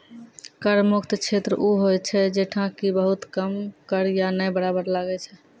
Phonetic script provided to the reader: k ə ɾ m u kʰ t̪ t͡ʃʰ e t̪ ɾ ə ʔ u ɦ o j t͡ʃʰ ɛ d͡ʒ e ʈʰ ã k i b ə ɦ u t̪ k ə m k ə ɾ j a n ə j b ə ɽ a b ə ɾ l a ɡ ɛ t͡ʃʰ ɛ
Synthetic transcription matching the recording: k ə ɾ m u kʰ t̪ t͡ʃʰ e t̪ ɾ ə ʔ u ɦ o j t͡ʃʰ ɛ d͡ʒ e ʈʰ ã k i b ə ɦ u t̪ k ə m k ə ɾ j a n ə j b ə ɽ a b ə ɾ l a ɡ ɛ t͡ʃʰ ɛ